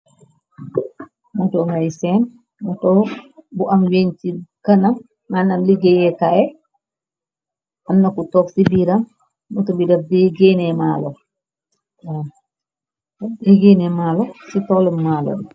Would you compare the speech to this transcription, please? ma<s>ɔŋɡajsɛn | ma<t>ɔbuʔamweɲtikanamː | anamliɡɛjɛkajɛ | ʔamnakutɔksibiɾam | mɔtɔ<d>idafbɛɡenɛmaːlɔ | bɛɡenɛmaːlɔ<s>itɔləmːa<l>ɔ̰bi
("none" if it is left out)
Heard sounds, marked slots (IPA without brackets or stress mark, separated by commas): t, t, b, s, l